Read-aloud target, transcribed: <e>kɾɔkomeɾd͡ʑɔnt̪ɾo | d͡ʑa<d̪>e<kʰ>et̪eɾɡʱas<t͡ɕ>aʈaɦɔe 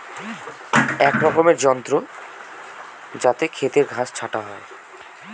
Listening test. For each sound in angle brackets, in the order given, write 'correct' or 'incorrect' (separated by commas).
incorrect, incorrect, correct, incorrect